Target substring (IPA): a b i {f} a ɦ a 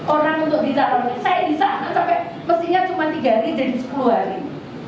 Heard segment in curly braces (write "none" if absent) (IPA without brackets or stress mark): s